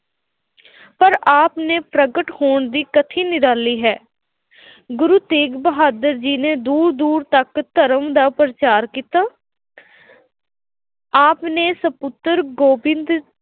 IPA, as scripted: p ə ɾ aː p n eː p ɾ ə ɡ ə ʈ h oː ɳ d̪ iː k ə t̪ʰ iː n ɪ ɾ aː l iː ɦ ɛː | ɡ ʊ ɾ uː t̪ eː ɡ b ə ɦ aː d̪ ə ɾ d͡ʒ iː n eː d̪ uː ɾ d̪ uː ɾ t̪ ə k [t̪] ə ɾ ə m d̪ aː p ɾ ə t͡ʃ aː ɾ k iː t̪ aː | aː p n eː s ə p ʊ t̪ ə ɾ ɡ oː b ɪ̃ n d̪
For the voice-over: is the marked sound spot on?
yes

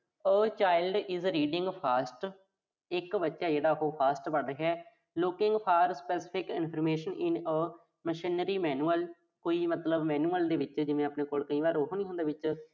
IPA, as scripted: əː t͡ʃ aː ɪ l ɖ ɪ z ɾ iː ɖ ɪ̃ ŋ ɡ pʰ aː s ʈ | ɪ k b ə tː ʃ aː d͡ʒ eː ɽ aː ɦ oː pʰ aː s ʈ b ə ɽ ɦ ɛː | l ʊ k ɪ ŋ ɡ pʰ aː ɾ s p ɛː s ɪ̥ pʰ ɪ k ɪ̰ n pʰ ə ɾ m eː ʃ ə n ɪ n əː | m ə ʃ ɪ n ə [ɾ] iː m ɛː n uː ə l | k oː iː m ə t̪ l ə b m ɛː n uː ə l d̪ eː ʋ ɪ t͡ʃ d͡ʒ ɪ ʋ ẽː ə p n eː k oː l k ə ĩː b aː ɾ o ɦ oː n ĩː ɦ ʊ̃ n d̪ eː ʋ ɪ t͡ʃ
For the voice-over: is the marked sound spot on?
yes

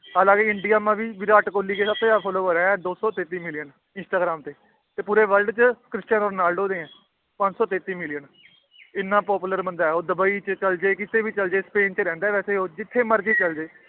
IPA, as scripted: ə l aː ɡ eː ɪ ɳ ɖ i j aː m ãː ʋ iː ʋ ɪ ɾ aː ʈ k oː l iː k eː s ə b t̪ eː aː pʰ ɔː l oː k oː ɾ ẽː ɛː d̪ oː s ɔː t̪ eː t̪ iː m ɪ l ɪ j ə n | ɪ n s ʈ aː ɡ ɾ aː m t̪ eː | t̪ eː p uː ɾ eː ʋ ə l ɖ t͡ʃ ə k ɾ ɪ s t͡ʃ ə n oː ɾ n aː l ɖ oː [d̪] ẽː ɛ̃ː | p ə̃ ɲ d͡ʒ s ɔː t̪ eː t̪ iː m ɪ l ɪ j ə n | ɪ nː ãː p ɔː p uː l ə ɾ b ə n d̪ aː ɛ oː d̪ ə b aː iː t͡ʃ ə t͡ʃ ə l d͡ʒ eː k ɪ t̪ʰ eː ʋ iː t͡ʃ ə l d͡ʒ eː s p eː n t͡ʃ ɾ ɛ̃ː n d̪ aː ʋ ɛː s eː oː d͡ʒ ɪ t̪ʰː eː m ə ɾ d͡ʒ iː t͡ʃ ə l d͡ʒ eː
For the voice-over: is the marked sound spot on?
yes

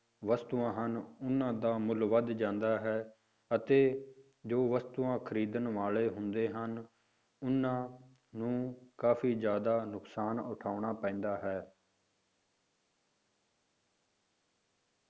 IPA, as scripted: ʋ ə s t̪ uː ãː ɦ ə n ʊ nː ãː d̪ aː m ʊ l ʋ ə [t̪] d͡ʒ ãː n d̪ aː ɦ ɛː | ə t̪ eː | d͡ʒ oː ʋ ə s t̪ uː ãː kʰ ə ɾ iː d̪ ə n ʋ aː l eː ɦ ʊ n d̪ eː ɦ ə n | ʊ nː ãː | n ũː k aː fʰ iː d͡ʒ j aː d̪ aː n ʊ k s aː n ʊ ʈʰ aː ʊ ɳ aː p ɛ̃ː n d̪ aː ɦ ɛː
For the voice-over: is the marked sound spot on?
no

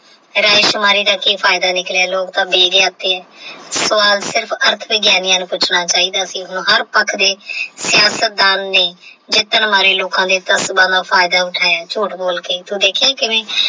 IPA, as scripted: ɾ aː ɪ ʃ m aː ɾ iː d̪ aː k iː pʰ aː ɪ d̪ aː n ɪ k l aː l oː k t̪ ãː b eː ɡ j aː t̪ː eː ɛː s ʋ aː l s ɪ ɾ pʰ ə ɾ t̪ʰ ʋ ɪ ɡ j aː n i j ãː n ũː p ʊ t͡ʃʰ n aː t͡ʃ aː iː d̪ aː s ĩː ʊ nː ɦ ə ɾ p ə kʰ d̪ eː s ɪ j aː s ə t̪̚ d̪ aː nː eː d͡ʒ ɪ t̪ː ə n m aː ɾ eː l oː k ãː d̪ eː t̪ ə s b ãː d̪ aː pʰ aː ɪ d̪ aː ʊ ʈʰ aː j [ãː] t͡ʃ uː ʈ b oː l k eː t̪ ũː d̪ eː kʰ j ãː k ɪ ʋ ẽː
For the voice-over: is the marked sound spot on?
no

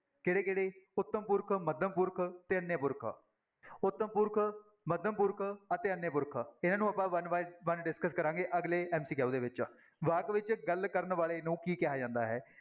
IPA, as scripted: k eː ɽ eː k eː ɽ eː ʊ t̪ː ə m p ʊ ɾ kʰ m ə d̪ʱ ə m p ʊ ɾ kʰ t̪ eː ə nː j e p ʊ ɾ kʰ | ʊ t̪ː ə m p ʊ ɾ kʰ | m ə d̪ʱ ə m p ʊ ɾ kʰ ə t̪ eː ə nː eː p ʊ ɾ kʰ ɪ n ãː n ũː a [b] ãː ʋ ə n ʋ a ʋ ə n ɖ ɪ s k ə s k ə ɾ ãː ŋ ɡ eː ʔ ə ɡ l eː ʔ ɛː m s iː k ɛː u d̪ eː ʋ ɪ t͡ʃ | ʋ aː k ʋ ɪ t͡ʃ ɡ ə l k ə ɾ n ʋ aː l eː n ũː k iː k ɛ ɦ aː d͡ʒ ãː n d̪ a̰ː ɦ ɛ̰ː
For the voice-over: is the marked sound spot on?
no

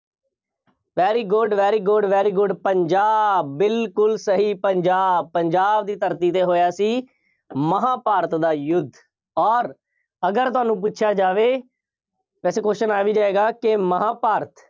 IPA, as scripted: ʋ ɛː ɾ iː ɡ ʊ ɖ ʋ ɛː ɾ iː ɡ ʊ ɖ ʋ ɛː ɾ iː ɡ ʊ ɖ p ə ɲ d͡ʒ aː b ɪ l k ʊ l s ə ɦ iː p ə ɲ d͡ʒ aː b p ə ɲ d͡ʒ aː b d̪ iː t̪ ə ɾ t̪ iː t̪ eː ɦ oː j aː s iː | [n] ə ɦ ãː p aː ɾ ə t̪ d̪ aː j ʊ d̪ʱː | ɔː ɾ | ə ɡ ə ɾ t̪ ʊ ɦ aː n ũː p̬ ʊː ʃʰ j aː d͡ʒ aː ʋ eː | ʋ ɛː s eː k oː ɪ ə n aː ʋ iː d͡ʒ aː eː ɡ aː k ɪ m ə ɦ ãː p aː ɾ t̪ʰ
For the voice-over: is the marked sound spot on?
no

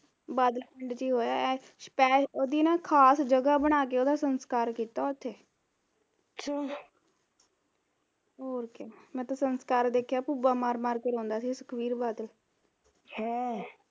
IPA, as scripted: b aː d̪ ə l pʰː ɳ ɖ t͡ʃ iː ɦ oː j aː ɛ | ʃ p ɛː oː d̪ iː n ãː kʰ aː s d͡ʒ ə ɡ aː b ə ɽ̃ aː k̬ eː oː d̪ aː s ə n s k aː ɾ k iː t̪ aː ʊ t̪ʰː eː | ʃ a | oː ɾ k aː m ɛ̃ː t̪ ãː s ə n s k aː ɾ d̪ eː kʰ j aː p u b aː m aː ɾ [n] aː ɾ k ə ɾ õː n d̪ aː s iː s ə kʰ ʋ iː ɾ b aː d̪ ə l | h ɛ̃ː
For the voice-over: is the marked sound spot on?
no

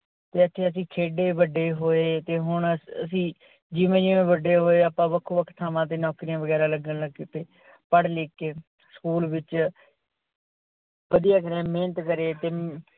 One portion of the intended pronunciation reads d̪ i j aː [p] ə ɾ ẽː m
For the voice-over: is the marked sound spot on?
no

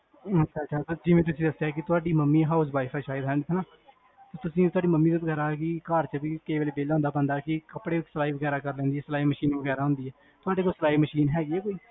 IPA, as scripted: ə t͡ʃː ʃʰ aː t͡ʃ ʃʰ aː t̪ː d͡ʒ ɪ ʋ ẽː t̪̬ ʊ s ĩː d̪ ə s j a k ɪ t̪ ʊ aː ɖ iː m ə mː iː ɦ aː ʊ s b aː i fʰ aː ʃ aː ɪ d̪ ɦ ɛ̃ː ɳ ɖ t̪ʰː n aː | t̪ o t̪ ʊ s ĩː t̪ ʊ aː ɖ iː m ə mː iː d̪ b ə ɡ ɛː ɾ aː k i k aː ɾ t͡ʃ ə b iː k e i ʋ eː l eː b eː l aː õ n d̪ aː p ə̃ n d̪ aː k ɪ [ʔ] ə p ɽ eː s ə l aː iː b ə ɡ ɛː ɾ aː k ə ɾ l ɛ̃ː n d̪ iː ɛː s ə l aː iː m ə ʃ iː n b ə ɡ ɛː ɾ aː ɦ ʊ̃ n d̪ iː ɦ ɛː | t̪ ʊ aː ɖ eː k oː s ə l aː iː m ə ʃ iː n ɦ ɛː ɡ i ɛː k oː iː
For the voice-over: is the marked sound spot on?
no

